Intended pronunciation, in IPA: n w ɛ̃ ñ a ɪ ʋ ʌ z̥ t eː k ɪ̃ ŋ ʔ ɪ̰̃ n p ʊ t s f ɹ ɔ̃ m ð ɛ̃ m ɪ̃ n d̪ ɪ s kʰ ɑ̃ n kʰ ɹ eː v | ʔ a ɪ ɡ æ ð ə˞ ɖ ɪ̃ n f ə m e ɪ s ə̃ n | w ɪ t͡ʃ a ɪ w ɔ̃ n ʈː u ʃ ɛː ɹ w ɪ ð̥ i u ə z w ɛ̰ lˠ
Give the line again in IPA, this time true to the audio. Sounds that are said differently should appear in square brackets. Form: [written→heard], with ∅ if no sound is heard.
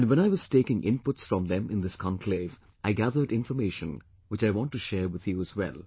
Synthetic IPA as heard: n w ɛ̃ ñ a ɪ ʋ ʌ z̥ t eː k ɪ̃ ŋ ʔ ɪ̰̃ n p ʊ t s f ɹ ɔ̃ m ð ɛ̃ m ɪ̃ n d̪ ɪ s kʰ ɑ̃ n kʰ [ɹ→l] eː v | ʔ a ɪ ɡ æ ð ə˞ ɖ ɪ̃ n f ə m e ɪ [s→ʃ] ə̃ n | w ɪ t͡ʃ a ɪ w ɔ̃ n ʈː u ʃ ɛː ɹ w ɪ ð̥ [i→j] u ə z w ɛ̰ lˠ

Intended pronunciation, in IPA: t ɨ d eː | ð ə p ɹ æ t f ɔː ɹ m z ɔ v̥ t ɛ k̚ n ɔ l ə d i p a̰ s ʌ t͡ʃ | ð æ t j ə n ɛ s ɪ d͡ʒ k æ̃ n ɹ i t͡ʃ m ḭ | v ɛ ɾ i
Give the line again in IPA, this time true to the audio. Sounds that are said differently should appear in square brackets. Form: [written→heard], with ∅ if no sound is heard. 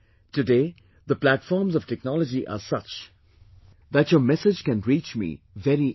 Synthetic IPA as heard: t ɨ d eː | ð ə p [ɹ→l] æ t f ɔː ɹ m z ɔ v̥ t ɛ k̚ n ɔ l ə [d→d͡ʒ] i [p→ʔ] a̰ s ʌ t͡ʃ | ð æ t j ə [n→m] ɛ s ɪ d͡ʒ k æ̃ n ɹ i t͡ʃ m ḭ | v ɛ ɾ i

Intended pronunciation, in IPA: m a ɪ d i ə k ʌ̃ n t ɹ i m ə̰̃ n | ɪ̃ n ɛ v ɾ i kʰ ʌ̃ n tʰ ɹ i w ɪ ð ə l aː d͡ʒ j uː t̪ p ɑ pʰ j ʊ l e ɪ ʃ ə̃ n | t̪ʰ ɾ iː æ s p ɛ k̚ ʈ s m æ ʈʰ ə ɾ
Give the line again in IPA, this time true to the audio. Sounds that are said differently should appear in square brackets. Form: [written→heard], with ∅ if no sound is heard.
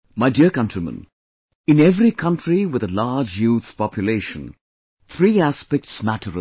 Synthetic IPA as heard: m a ɪ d i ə k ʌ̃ n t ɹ i m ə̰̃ n | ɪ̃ n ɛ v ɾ i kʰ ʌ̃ n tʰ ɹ i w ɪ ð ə l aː d͡ʒ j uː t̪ p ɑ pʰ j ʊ l e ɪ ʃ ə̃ n | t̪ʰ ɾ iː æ s p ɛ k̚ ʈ s m æ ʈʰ ə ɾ

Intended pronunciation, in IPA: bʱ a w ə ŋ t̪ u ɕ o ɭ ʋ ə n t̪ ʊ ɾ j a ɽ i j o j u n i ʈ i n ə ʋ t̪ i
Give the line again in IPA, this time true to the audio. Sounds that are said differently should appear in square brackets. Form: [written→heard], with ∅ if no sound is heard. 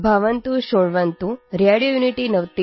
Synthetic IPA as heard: bʱ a [w→ʋ] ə [ŋ→n] t̪ u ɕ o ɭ ʋ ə n t̪ [ʊ→u] ɾ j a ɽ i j o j u n i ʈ i n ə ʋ t̪ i

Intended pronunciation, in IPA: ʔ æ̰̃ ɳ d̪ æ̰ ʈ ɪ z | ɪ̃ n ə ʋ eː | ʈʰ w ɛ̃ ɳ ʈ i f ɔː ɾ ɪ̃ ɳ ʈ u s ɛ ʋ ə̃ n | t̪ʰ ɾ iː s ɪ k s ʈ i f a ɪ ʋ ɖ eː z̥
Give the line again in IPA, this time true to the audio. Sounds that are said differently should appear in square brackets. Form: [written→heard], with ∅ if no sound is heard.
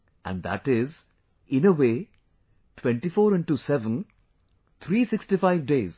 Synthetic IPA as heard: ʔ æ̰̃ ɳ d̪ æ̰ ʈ ɪ z | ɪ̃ n ə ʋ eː | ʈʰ w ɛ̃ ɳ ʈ i f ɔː ɾ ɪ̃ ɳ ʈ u s ɛ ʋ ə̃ n | t̪ʰ ɾ iː s ɪ k s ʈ i f a ɪ ʋ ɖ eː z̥

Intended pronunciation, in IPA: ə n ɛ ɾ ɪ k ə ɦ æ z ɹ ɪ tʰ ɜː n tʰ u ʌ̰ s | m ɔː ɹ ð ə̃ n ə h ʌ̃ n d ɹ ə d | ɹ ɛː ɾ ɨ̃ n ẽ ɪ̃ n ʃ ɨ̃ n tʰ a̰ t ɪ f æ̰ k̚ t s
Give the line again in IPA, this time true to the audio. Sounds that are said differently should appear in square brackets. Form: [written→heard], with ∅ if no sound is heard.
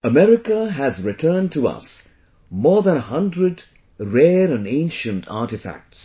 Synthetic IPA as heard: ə [n→m] ɛ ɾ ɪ k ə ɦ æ z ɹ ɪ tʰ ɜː n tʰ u ʌ̰ s | m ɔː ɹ ð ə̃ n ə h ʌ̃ n d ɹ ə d | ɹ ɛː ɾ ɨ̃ n ẽ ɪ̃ n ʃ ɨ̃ n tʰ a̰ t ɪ f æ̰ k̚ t s

